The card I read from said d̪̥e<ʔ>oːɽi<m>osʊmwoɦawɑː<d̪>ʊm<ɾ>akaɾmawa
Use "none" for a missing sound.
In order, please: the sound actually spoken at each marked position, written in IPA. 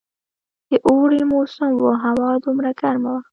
ʔ, m, d̪, ɾ

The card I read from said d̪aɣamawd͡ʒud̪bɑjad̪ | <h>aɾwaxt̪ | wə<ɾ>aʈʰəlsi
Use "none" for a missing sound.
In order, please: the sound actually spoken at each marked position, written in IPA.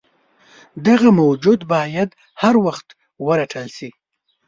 h, ɾ

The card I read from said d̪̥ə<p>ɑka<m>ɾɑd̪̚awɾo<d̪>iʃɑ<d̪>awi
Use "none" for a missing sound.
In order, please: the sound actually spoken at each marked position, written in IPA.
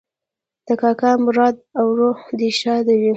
k, m, d̪, d̪

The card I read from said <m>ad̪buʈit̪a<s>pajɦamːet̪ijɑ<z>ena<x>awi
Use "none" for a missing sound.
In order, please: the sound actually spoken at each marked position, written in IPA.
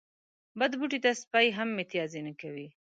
b, s, z, k

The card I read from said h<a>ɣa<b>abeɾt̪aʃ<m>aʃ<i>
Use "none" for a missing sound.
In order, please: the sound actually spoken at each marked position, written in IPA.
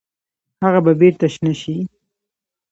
a, b, n, i

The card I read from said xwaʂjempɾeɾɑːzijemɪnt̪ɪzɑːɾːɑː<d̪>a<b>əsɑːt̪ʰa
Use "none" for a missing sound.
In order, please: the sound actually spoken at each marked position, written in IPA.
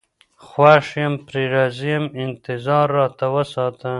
t̪, w

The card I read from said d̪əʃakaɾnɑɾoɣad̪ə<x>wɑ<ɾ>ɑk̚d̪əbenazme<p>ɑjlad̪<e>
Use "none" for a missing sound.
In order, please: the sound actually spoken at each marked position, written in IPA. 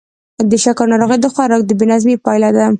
x, ɾ, p, a

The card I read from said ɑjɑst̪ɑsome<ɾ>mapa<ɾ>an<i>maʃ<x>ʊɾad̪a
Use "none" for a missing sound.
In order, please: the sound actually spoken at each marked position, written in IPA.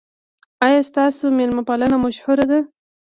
l, l, a, h

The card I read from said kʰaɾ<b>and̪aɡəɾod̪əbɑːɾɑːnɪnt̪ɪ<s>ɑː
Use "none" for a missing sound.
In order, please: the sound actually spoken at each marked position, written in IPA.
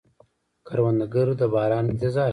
w, z

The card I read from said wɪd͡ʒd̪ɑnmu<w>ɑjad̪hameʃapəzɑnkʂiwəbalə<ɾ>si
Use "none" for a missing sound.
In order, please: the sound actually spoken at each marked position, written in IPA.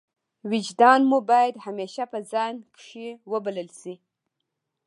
b, l

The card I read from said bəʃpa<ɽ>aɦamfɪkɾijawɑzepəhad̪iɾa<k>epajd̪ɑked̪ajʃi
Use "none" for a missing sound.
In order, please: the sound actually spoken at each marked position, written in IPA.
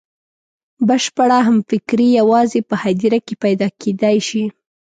ɽ, k

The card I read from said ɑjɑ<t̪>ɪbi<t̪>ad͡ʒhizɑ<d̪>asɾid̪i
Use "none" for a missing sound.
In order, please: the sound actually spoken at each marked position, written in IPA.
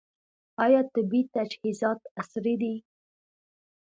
t̪, t̪, t̪

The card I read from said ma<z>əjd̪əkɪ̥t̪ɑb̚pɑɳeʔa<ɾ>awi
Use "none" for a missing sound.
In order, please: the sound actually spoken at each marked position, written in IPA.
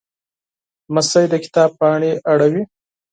s, ɽ

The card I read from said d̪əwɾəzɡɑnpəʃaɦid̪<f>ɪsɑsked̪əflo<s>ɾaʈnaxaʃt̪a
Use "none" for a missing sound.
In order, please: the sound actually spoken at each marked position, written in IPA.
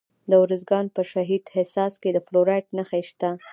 h, none

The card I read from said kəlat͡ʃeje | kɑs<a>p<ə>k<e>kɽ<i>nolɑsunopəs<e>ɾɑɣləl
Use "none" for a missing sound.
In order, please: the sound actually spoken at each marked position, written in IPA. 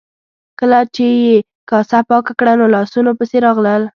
a, ɑ, a, a, e

